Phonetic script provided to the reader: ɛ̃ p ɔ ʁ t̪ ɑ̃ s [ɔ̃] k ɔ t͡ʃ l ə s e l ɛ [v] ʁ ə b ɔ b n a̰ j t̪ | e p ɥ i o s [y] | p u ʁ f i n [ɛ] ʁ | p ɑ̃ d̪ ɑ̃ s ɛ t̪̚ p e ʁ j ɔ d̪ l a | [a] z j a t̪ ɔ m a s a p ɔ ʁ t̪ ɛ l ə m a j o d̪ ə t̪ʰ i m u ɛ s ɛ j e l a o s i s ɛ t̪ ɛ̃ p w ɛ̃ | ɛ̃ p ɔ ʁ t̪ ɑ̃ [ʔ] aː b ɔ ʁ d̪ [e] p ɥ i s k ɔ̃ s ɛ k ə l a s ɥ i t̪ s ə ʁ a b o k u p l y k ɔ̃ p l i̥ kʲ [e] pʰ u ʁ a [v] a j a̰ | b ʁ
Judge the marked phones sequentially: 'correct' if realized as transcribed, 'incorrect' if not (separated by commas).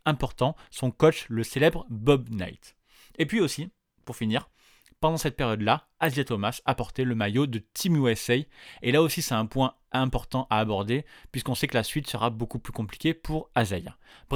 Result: correct, incorrect, incorrect, incorrect, correct, correct, correct, correct, incorrect